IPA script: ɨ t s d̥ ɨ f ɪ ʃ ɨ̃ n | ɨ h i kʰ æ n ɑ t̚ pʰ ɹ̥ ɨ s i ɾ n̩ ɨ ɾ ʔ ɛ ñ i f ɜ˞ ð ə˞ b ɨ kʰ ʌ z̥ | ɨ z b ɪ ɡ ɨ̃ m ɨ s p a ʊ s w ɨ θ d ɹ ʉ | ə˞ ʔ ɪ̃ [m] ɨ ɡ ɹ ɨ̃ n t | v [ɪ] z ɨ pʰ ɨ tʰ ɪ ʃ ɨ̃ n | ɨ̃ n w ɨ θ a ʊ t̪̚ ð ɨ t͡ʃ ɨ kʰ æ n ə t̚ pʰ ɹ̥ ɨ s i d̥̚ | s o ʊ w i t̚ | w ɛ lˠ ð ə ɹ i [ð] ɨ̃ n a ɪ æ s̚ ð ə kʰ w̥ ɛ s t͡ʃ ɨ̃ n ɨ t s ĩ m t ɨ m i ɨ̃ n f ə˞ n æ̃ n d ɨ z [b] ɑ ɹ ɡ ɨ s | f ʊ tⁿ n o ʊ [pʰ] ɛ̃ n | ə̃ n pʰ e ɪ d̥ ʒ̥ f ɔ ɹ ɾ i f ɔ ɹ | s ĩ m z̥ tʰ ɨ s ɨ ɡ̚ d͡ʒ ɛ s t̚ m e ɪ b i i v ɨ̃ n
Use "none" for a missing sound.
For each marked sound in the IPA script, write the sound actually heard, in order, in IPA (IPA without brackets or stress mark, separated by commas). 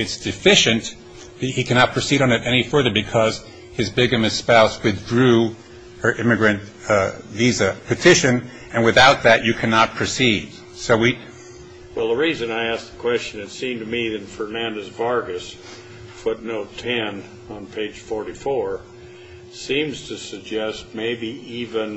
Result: m, i, z, v, tʰ